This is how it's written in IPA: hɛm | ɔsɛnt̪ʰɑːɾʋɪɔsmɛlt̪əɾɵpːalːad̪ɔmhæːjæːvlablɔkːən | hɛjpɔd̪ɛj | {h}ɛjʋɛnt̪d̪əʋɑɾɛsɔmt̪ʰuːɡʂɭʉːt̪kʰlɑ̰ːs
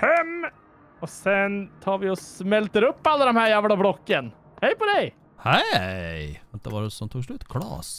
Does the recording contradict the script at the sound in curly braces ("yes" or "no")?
no